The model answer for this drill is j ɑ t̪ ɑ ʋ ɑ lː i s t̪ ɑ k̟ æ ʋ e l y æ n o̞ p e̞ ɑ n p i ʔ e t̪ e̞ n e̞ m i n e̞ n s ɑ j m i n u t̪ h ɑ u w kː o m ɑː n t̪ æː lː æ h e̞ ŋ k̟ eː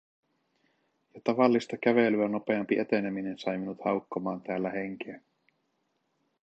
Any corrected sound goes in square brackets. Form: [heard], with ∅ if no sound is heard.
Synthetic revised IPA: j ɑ t̪ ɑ ʋ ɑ lː i s t̪ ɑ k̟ æ ʋ e l y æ n o̞ p e̞ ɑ [m] p i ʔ e t̪ e̞ n e̞ m i n e̞ n s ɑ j m i n u t̪ h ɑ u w kː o m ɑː n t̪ æː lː æ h e̞ ŋ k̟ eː